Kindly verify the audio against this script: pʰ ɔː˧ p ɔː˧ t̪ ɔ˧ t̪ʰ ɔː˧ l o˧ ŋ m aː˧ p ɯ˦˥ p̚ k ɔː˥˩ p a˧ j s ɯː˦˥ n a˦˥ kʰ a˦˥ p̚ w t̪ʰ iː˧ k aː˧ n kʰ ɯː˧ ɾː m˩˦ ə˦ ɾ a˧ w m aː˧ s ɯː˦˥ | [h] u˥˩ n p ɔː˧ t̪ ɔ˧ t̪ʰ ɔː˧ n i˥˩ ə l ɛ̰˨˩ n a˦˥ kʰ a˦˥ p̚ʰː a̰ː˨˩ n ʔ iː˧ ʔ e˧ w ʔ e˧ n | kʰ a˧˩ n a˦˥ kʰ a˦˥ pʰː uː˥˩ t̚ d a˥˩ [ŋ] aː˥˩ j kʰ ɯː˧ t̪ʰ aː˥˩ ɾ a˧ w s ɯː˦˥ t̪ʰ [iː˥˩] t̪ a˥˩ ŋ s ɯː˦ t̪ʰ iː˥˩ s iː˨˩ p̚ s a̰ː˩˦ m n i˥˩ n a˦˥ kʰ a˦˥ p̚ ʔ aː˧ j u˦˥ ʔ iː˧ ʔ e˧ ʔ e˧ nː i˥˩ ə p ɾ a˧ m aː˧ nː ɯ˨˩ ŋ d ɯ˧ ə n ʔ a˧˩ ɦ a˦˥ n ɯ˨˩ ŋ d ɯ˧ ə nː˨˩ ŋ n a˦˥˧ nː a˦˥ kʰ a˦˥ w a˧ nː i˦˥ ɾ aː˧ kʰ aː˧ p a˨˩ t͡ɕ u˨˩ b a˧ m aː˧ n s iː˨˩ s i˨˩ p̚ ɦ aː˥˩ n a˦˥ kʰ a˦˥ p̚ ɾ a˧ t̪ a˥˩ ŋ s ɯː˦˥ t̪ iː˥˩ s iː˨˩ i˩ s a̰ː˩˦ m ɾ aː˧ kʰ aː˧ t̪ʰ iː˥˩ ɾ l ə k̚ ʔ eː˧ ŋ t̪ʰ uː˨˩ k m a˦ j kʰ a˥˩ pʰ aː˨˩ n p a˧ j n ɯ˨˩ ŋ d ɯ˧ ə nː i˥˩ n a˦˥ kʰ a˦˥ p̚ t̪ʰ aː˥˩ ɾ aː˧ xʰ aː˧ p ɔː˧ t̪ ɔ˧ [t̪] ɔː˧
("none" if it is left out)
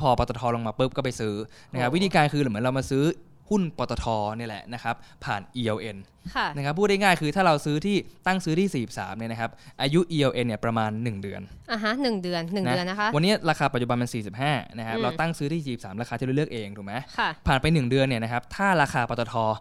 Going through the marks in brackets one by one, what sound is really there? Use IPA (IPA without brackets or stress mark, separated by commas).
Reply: h, ŋ, iː˥˩, t̪ʰ